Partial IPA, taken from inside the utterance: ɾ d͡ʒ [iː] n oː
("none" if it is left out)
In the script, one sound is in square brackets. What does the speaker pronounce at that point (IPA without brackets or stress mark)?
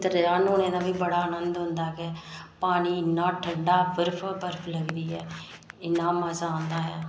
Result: aː